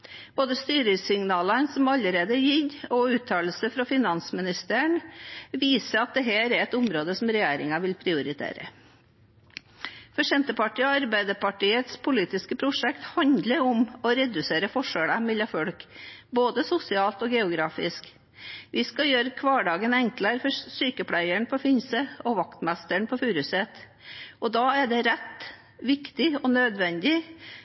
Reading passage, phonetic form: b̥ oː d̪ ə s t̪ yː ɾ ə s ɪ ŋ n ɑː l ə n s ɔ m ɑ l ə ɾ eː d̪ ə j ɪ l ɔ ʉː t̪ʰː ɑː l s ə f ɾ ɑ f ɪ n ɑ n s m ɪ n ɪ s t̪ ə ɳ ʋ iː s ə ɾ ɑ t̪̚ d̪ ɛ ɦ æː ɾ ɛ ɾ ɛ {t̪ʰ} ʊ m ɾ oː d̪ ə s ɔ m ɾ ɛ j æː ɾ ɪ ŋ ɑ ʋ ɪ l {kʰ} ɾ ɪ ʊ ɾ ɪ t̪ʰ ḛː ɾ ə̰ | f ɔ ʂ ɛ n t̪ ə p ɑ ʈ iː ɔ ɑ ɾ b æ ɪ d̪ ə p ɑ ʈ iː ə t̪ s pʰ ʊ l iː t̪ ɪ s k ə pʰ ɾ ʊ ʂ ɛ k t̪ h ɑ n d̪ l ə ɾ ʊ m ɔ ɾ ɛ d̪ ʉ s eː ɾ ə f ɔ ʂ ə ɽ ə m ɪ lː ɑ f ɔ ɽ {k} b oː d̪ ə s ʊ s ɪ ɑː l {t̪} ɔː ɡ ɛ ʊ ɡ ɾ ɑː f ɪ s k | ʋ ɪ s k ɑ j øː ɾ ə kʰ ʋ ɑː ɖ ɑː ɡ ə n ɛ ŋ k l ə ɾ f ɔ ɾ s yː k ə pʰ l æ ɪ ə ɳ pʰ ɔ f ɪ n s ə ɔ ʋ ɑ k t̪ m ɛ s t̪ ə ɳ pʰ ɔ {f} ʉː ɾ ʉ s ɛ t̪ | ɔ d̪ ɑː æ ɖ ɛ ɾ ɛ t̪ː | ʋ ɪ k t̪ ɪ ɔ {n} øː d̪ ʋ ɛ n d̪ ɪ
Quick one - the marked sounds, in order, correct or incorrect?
incorrect, incorrect, correct, correct, correct, correct

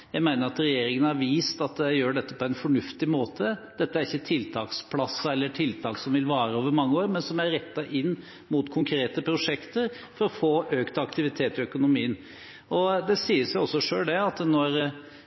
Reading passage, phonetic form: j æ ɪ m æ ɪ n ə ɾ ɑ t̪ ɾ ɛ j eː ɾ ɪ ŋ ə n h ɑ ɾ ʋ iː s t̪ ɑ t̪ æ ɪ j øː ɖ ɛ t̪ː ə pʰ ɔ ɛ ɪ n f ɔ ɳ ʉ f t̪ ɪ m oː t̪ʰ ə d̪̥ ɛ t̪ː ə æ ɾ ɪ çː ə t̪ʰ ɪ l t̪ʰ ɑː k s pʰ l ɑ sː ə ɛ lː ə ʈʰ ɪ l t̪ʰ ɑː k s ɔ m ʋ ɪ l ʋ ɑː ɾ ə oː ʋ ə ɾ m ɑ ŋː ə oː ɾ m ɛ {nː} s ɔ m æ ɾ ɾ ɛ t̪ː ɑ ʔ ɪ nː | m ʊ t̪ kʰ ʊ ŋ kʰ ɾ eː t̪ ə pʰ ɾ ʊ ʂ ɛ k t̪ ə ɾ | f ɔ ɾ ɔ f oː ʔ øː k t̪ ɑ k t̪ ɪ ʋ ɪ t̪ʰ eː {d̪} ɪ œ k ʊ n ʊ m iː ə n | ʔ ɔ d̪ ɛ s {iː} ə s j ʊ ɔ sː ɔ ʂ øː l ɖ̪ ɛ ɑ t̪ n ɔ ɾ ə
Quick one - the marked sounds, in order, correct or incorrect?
incorrect, incorrect, correct

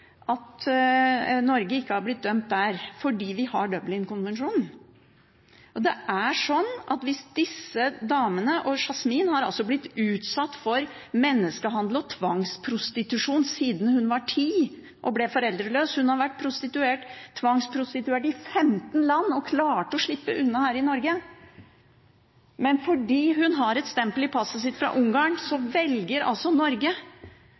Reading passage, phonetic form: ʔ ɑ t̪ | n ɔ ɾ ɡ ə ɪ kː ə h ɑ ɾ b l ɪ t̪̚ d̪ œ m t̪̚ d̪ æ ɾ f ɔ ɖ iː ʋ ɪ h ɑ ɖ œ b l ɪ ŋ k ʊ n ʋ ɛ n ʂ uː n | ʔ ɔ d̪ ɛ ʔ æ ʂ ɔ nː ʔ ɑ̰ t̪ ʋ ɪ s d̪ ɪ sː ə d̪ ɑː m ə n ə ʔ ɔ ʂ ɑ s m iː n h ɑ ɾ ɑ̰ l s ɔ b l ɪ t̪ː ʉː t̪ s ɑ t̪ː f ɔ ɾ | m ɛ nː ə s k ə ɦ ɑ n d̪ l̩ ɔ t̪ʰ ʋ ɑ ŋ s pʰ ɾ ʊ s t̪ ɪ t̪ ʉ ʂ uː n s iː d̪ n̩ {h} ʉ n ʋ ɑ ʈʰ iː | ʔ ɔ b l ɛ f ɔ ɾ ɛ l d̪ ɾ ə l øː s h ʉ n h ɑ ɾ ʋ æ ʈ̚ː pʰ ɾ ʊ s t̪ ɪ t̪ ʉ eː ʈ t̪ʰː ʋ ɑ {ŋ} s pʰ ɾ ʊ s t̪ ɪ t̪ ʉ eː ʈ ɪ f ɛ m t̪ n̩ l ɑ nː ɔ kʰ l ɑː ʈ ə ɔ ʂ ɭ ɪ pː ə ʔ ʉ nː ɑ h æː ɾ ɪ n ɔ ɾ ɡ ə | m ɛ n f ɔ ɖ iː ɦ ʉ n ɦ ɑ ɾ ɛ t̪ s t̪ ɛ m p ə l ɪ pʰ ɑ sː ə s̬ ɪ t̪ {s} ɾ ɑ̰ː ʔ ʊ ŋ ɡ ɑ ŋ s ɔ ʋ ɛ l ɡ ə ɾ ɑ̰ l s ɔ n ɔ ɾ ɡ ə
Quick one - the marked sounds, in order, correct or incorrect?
correct, correct, incorrect

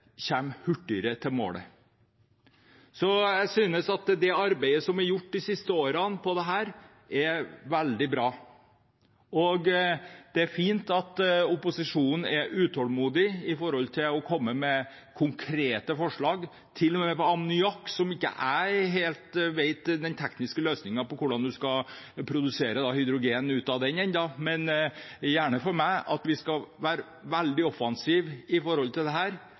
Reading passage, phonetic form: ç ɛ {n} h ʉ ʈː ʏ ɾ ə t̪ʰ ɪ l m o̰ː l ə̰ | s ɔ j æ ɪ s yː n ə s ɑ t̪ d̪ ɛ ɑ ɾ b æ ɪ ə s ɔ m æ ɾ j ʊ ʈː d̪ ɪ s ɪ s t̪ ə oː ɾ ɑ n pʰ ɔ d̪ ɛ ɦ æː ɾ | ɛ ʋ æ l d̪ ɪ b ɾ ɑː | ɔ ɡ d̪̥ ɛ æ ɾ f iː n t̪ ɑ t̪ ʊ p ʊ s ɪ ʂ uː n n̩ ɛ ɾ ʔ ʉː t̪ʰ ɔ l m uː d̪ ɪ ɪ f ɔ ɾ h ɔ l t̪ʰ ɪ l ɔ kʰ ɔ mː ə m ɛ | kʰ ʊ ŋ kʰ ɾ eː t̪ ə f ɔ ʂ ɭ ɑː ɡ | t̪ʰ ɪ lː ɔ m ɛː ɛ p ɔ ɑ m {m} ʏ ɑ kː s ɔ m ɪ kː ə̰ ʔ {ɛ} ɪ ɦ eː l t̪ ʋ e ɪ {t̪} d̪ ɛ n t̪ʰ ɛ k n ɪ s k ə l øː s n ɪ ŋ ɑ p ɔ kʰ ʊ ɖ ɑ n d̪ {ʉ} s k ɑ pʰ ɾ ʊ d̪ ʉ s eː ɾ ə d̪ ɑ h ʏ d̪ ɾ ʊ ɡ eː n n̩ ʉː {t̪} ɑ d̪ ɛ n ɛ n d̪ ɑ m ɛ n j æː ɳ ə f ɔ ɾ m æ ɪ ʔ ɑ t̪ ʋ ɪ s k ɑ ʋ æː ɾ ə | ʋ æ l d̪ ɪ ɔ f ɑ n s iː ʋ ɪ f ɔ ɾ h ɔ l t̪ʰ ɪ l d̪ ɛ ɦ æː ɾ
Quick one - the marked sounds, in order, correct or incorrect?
incorrect, incorrect, incorrect, correct, correct, correct

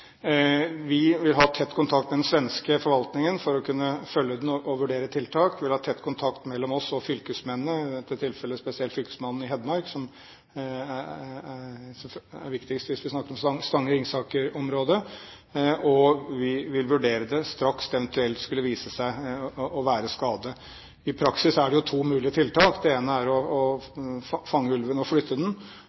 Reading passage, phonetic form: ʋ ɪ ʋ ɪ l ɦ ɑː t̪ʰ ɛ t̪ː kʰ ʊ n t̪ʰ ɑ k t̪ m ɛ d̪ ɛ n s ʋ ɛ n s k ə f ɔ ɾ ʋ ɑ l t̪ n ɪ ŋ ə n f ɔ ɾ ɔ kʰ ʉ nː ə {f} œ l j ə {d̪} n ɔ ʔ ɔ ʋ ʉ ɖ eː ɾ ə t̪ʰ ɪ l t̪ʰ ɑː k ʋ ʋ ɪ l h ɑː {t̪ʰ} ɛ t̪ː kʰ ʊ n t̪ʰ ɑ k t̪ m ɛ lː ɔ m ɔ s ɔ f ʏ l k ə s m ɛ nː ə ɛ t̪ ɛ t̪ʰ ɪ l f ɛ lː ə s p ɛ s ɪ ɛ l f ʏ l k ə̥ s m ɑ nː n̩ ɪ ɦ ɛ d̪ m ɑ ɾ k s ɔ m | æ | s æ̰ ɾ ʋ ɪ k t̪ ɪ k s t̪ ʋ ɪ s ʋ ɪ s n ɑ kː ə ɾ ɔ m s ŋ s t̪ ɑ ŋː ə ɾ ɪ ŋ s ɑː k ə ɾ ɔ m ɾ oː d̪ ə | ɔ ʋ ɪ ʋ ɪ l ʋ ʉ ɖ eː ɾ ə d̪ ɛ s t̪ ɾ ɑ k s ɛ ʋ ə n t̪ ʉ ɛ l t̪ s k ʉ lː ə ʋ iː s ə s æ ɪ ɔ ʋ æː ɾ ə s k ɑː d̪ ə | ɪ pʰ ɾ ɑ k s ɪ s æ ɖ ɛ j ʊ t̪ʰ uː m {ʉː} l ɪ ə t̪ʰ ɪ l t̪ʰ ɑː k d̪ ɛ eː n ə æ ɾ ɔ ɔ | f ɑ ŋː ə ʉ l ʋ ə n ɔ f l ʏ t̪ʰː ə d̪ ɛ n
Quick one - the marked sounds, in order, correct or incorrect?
correct, correct, correct, correct

